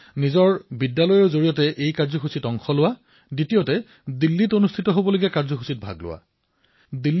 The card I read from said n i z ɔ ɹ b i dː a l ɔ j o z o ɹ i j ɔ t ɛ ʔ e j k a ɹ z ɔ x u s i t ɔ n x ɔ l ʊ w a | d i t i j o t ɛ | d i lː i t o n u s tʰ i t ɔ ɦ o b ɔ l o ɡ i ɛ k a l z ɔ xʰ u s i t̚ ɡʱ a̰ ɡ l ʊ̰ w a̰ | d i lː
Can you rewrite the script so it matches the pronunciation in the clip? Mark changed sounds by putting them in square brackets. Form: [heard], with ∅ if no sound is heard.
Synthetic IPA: n i z ɔ ɹ b i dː a l ɔ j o z o ɹ i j ɔ t ɛ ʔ e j k a ɹ z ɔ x u s i t ɔ [ŋ] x ɔ l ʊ w a | d i t i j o t ɛ | d i lː i t o n u s tʰ i t ɔ ɦ o b ɔ l o ɡ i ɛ k a [ɹ] z ɔ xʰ u s i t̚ [bʱ] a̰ ɡ l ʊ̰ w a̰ | d i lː

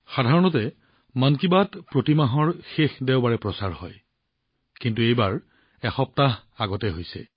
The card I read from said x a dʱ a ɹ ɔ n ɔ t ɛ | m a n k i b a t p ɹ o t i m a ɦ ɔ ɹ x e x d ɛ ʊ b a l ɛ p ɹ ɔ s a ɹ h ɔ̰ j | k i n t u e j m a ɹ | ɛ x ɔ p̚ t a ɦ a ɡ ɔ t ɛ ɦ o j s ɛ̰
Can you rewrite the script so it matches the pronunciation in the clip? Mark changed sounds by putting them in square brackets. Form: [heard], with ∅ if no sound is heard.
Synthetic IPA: x a dʱ a ɹ ɔ n ɔ t ɛ | m a n k i b a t p ɹ o t i m a ɦ ɔ ɹ x e x d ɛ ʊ b a [ɹ] ɛ p ɹ ɔ s a ɹ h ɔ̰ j | k i n t u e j [b] a ɹ | ɛ x ɔ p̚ t a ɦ a ɡ ɔ t ɛ ɦ o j s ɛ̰

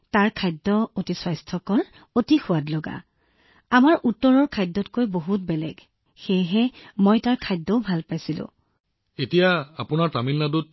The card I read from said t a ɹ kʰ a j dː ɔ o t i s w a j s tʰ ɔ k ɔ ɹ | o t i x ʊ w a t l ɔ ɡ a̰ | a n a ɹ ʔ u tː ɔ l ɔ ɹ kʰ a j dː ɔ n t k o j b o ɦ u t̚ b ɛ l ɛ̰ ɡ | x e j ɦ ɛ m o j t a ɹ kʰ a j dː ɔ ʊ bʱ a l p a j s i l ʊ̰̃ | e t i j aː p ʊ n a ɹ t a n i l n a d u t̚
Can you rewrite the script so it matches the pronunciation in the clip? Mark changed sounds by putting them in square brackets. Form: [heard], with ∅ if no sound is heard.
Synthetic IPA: t a ɹ kʰ a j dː ɔ o t i s w a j s tʰ ɔ k ɔ ɹ | o t i x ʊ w a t l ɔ ɡ a̰ | a [m] a ɹ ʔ u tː ɔ [ɹ] ɔ ɹ kʰ a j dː ɔ [∅] t k o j b o ɦ u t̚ b ɛ l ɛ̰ ɡ | x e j ɦ ɛ m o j t a ɹ kʰ a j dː ɔ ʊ bʱ a l p a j s i l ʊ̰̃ | e t i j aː p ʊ n a ɹ t a [m] i l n a d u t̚

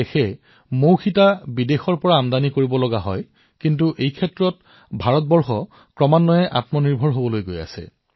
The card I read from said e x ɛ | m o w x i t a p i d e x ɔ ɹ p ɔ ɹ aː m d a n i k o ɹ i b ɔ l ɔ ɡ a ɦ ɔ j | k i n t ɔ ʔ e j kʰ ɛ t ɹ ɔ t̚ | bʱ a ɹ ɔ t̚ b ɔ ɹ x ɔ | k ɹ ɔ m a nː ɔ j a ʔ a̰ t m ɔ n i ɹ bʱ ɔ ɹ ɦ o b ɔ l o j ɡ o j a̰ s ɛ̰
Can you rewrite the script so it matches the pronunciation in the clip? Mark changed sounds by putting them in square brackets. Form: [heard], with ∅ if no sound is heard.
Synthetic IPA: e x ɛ | m o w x i t a [b] i d e x ɔ ɹ p ɔ ɹ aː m d a n i k o ɹ i b ɔ l ɔ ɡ a ɦ ɔ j | k i n t [u] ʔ e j kʰ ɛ t ɹ ɔ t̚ | bʱ a ɹ ɔ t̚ b ɔ ɹ x ɔ | k ɹ ɔ m a nː ɔ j [ɛ] ʔ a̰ t m ɔ n i ɹ bʱ ɔ ɹ ɦ o b ɔ l o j ɡ o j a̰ s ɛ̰

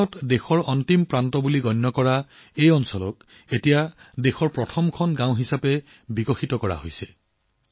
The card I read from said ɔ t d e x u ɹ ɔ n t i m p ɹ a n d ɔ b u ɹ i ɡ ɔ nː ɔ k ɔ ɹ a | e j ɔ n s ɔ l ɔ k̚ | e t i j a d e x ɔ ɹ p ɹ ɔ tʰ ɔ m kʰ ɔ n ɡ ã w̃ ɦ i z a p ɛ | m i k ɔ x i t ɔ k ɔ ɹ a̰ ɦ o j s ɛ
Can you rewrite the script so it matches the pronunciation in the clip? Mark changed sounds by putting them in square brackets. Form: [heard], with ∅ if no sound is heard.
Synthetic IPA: ɔ t d e x [ɔ] ɹ ɔ n t i m p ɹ a n [t] ɔ b u [l] i ɡ ɔ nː ɔ k ɔ ɹ a | e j ɔ n s ɔ l ɔ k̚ | e t i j a d e x ɔ ɹ p ɹ ɔ tʰ ɔ m kʰ ɔ n ɡ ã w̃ ɦ i [s] a p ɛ | [b] i k ɔ x i t ɔ k ɔ ɹ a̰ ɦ o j s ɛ

